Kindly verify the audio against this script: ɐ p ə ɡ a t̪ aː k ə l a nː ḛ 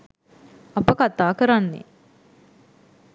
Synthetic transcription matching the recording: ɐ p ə k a t̪ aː k ə ɾ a nː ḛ

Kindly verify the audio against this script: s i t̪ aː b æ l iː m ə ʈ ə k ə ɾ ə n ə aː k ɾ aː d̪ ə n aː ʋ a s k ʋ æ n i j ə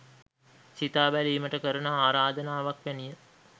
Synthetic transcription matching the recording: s i t̪ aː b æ l iː m ə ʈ ə k ə ɾ ə n ə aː ɾ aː d̪ ə n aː ʋ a k ʋ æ n i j ə

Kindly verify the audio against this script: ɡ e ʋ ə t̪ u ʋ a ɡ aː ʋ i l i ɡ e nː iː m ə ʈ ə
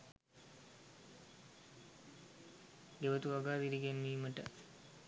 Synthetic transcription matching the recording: ɡ e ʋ ə t̪ u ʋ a ɡ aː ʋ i ɾ i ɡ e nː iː m ə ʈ ə

